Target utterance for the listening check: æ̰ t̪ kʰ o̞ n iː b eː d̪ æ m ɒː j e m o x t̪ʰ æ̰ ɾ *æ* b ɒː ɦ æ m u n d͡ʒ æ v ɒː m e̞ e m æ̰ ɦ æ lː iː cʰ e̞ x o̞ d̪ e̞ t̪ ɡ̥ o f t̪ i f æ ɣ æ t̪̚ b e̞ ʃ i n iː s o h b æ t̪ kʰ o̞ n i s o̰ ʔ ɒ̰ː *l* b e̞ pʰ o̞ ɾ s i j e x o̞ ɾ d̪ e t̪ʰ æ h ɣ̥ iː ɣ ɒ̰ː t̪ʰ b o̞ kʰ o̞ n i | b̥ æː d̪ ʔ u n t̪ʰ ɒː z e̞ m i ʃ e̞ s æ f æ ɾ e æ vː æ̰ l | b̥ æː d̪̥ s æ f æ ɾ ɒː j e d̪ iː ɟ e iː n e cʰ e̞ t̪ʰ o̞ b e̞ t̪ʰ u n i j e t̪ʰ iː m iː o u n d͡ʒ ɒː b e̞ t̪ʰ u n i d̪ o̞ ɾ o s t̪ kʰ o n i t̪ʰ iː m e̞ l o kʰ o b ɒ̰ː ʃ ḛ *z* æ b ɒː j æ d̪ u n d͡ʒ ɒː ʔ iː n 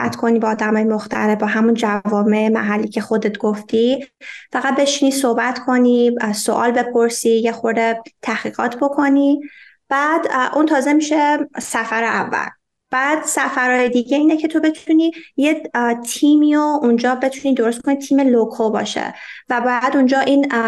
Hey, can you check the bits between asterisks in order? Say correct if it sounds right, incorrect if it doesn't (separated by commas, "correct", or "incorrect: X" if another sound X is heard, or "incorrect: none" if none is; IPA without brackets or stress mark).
incorrect: e, correct, incorrect: v